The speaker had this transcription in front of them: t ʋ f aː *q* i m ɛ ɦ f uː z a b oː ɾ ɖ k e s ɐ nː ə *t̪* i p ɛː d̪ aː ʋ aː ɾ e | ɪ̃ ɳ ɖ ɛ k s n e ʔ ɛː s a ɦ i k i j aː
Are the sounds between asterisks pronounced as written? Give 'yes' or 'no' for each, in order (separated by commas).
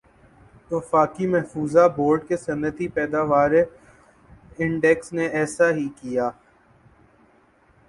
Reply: no, yes